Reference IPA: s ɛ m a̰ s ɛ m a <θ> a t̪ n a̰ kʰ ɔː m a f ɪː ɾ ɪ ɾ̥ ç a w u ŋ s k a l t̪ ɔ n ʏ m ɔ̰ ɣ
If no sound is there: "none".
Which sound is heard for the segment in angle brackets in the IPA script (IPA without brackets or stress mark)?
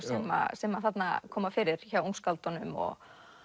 θ